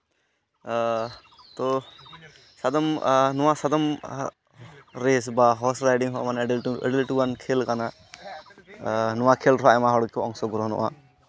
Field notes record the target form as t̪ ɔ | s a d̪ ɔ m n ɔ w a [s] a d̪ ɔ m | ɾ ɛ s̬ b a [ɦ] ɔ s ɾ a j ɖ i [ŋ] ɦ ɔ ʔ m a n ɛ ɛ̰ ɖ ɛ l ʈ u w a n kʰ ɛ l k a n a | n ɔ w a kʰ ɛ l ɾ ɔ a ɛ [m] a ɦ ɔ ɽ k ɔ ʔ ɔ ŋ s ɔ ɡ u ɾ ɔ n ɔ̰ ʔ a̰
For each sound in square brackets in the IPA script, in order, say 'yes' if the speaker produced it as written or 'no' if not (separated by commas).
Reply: yes, yes, yes, yes